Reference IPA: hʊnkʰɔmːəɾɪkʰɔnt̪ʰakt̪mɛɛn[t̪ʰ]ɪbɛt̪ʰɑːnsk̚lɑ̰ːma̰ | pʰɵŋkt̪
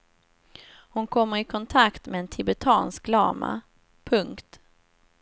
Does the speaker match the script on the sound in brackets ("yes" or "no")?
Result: yes